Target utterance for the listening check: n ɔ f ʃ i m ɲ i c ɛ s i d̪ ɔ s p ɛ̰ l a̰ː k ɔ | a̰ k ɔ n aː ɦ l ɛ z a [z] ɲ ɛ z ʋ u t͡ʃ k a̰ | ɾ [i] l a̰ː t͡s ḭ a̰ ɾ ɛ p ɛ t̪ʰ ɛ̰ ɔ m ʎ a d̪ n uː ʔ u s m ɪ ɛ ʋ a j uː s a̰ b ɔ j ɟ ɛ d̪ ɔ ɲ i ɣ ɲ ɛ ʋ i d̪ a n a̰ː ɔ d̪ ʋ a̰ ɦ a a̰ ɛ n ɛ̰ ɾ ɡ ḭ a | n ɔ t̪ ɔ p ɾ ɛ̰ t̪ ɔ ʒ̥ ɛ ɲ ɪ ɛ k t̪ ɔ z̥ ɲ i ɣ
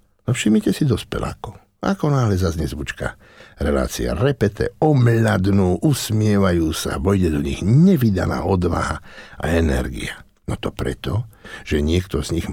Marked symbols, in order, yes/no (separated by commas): yes, no